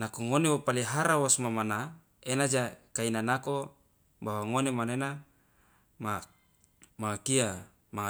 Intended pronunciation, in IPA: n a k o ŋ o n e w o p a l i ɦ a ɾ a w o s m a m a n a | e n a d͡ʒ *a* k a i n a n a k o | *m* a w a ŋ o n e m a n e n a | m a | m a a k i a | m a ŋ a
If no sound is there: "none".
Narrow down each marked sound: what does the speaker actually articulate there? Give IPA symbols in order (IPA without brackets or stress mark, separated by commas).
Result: a, b